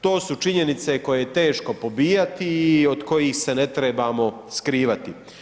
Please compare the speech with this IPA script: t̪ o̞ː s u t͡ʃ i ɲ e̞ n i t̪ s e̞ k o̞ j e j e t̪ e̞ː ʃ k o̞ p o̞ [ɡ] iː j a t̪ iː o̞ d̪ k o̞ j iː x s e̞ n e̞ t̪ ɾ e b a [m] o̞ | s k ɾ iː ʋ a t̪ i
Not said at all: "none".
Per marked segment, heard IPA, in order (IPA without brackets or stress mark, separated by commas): b, m